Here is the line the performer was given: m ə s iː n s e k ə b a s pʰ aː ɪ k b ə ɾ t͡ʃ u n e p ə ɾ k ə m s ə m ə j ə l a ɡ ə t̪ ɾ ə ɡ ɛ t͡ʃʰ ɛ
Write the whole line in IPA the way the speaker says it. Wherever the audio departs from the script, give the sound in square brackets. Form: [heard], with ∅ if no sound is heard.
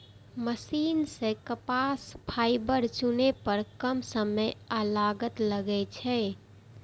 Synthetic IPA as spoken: m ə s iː n s e k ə [p] a s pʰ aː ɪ [∅] b ə ɾ t͡ʃ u n e p ə ɾ k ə m s ə m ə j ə l a ɡ ə t̪ [l] ə ɡ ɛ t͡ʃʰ ɛ